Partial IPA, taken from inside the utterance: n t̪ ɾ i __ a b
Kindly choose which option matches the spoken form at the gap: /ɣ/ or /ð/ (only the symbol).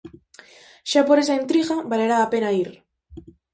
ɣ